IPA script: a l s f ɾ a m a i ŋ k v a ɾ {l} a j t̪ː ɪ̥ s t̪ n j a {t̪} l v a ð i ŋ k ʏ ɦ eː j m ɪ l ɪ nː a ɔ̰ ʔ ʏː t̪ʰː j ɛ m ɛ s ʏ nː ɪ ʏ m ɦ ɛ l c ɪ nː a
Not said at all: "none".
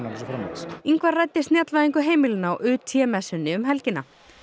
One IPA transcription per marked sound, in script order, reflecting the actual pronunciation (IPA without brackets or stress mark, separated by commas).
r, t̪